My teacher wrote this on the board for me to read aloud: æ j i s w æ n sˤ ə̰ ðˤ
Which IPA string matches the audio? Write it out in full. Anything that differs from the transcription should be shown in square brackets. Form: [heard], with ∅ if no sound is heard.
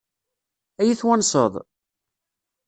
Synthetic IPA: æ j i [θ] w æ n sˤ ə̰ ðˤ

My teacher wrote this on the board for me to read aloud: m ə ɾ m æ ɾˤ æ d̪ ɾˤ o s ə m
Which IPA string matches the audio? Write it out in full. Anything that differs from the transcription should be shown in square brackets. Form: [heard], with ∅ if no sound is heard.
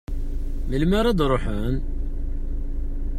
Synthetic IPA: m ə [l] m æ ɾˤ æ d̪ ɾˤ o [ħ] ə [n]

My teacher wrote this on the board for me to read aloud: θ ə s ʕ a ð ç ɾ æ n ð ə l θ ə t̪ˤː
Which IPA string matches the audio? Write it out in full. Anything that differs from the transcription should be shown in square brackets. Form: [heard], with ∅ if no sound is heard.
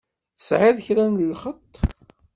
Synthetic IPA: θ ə s ʕ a ð ç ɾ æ n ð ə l [χ] ə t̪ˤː

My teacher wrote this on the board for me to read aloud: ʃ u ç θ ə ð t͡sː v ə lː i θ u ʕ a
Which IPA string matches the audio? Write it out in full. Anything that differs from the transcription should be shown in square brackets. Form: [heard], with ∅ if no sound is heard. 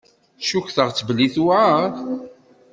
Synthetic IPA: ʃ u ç θ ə [ʁ] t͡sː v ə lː i θ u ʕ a

